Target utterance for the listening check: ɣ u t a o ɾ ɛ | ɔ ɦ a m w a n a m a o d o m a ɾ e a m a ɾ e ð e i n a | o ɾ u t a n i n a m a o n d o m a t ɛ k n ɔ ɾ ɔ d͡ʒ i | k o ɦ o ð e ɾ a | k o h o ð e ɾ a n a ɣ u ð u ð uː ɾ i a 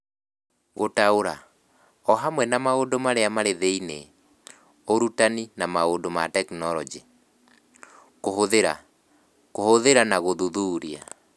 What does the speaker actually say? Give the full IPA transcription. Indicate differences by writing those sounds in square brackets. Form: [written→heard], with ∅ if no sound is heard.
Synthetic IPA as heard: ɣ [u→o] t a o ɾ [ɛ→a] | ɔ ɦ a m w [a→ɛ] n a m a o d o m a ɾ e a m a ɾ e ð e i n [a→e] | o ɾ u t a n i n a m a o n d o m a t ɛ k n ɔ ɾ ɔ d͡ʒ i | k o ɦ o ð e ɾ a | k o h o ð e ɾ a n a ɣ [u→o] ð u ð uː ɾ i a

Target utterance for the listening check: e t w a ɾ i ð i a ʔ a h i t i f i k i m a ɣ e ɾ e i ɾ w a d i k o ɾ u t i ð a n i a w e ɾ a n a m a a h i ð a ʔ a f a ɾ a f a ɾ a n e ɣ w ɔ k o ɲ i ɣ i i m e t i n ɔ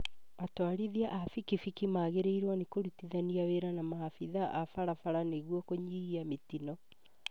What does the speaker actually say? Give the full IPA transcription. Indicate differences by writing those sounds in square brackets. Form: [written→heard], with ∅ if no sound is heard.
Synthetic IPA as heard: [e→a] t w a ɾ i ð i a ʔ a [h→f] i [t→k] i f i k i m a ɣ e ɾ e i ɾ w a [d→n] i k o ɾ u t i ð a n i a w e ɾ a n a m a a [h→f] i ð a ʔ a f a ɾ a f a ɾ a n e ɣ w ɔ k o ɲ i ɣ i [i→a] m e t i n ɔ

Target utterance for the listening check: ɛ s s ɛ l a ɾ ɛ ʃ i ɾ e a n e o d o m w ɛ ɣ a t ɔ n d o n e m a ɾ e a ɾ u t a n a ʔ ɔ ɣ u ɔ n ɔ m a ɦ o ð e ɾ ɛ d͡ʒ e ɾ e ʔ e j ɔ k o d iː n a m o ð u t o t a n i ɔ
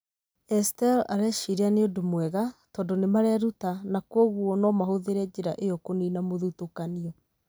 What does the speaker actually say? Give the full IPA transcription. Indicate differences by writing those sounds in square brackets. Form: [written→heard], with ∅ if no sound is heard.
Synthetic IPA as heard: ɛ s [s→t] ɛ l a ɾ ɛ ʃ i ɾ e a n e o d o m w ɛ ɣ a t ɔ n d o n e m a ɾ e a ɾ u t a n a [ʔ→k] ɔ ɣ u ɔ n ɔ m a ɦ o ð e ɾ ɛ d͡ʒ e ɾ [e→a] ʔ e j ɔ k o [d→n] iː n a m o ð u t o [t→k] a n i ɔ

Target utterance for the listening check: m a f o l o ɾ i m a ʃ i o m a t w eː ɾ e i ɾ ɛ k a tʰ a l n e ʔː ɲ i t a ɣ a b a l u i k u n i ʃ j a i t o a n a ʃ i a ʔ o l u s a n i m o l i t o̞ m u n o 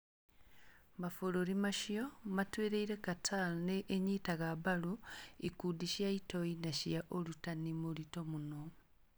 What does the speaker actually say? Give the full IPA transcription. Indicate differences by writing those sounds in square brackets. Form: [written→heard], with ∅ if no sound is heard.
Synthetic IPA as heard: m a f o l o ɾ i m a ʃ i o m a t w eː ɾ e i ɾ [ɛ→e] k a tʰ a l n e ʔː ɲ i t a ɣ a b a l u i k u [n→d] i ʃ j a i t o [a→i] n a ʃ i a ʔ o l u [s→t] a n i m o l i t o̞ m u n o

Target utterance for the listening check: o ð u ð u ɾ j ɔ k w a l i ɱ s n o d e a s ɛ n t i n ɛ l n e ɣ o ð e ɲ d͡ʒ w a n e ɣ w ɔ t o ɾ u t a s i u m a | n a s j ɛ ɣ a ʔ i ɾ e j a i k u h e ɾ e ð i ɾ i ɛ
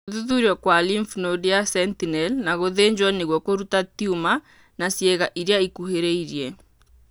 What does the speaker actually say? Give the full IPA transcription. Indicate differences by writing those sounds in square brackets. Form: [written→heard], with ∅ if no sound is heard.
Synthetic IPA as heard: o ð u ð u ɾ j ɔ k w a l i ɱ [s→f] n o d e a s ɛ n t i n ɛ l n [e→a] ɣ o ð e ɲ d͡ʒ w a n e ɣ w ɔ [t→k] o ɾ u t a [s→t] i u m a | n a s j ɛ ɣ a ʔ i ɾ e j a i k u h e ɾ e [ð→∅] i ɾ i ɛ

